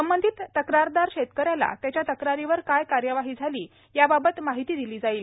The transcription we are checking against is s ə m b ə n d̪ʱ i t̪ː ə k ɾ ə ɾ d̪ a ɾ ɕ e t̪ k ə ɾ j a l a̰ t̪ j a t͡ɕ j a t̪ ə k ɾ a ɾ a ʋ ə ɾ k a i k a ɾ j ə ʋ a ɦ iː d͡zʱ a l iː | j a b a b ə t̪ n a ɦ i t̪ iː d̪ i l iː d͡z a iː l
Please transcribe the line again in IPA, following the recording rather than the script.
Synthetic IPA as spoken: s ə m b ə n d̪ʱ i t̪ː ə k ɾ a ɾ d̪ a ɾ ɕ e t̪ k ə ɾ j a l a̰ t̪ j a t͡ɕ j a t̪ ə k ɾ a ɾ i ʋ ə ɾ k a j k a ɾ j ə ʋ a ɦ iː d͡zʱ a l iː | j a b a b ə t̪ m a ɦ i t̪ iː d̪ i l iː d͡z a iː l